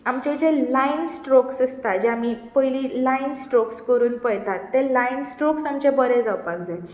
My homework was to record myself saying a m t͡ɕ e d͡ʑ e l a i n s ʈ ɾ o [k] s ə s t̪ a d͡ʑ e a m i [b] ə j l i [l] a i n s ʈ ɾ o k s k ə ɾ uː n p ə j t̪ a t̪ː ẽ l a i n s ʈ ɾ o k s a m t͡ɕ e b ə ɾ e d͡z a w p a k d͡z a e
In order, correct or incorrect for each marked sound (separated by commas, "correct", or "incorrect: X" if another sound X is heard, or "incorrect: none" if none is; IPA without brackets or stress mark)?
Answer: correct, incorrect: p, correct